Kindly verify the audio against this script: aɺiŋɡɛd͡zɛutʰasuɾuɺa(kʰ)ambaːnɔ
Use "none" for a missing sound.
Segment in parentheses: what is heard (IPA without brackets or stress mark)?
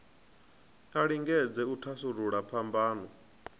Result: pʰ